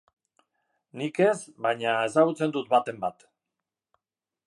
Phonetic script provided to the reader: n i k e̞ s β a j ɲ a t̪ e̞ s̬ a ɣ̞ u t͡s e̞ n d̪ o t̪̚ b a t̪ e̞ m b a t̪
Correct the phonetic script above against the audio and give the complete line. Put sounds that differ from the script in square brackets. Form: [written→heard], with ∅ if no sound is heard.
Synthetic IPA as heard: n i k e̞ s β a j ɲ a [t̪→∅] e̞ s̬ a ɣ̞ u t͡s e̞ n d̪ [o→u] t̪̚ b a t̪ e̞ m b a t̪